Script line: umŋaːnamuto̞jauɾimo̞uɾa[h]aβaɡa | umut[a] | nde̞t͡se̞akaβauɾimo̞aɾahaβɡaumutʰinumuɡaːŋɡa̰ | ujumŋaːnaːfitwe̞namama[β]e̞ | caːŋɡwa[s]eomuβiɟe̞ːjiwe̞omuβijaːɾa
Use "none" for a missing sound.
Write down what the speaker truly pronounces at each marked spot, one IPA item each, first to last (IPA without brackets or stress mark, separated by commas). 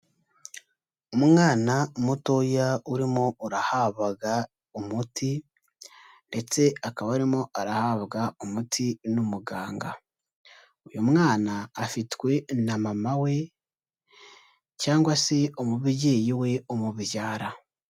h, i, w, s